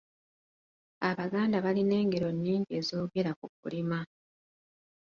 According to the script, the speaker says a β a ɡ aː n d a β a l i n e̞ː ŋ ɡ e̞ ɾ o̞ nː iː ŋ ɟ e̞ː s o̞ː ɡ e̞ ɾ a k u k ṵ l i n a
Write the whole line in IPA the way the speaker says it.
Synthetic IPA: a β a ɡ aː n d a β a l i n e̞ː ŋ ɡ e̞ ɾ o̞ nː iː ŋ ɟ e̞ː z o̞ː ɡ e̞ ɾ a k u k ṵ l i m a